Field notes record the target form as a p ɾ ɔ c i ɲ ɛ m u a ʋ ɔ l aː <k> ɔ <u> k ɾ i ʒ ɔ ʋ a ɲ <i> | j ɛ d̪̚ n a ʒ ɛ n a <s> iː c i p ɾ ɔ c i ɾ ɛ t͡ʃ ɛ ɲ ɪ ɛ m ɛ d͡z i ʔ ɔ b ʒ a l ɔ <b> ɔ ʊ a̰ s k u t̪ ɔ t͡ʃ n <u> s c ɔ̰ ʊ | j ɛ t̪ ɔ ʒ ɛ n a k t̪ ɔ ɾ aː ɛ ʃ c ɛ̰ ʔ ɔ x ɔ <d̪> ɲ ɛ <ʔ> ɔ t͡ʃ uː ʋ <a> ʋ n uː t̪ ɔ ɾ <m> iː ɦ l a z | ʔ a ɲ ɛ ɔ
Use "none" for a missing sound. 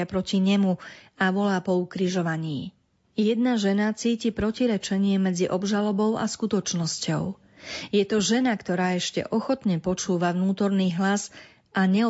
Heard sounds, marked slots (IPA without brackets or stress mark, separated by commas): p, u, iː, t͡s, b, ɔ, t̪, p, a, n